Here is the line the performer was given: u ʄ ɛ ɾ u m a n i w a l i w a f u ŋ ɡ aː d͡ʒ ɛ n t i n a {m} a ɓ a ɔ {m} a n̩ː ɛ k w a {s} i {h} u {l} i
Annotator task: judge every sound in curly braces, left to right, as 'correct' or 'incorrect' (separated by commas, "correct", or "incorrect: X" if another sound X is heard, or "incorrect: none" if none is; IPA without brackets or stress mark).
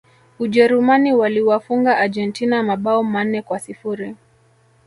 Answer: correct, correct, correct, incorrect: f, incorrect: ɾ